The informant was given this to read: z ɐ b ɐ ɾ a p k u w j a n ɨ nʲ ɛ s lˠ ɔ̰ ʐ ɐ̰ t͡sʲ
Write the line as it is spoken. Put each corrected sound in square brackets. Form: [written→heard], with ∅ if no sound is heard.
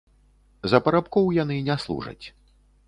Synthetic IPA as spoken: z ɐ [b→p] ɐ ɾ a p k [u→ɔ] w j a n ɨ nʲ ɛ s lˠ [ɔ̰→ṵ] ʐ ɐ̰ t͡sʲ

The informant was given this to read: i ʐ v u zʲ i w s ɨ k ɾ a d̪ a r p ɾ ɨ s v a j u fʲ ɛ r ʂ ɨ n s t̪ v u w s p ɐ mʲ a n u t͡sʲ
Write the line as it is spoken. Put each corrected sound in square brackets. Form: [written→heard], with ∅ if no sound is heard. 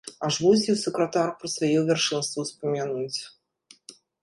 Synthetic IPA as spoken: [i→a] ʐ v u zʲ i w s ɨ k ɾ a [d̪→t̪] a r p ɾ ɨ s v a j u [fʲ→vʲ] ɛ r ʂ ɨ n s t̪ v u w s p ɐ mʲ a n u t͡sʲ

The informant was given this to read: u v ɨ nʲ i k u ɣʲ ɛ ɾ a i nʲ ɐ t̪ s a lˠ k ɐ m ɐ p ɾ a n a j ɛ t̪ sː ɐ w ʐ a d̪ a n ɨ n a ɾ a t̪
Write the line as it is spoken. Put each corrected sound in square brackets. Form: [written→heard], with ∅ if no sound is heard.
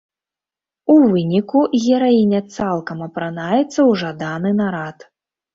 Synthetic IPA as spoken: u v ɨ nʲ i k u ɣʲ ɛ ɾ a i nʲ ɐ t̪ s a lˠ k ɐ m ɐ p ɾ a n a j ɛ t̪ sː ɐ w ʐ a d̪ a n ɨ n a ɾ a t̪

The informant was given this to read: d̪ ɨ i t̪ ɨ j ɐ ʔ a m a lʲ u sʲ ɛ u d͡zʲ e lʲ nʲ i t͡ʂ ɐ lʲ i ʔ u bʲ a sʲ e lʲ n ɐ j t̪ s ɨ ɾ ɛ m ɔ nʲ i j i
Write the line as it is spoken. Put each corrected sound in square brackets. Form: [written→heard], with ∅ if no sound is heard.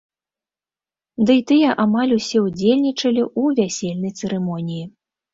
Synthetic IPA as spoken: d̪ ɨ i t̪ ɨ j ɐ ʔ a m a lʲ u sʲ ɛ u d͡zʲ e lʲ nʲ i t͡ʂ ɐ lʲ i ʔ u [bʲ→vʲ] a sʲ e lʲ n ɐ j t̪ s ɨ ɾ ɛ m ɔ nʲ i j i

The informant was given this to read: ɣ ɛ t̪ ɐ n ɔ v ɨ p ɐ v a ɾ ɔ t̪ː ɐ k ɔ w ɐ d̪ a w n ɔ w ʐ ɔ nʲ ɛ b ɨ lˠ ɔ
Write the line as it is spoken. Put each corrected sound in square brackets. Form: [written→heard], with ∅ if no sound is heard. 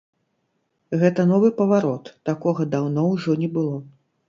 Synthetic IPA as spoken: ɣ ɛ t̪ ɐ n ɔ v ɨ p ɐ v a ɾ ɔ t̪ː [ɐ→a] k ɔ [w→ɣ] ɐ d̪ a w n ɔ w ʐ ɔ nʲ ɛ b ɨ lˠ ɔ

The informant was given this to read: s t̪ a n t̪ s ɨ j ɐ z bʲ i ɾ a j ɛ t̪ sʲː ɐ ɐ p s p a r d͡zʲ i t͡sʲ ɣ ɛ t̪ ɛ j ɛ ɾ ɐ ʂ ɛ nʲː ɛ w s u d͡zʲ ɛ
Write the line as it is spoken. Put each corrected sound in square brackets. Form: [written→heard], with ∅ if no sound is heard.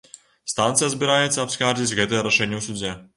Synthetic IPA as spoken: s t̪ a n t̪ s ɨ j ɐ z bʲ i ɾ a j ɛ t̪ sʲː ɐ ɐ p s [p→k] a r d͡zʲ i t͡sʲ ɣ ɛ t̪ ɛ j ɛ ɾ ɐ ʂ ɛ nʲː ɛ w s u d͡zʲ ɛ

